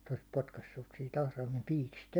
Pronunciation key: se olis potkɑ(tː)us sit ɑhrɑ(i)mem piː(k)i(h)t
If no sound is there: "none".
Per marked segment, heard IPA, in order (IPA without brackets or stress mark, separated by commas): sː, i, k, s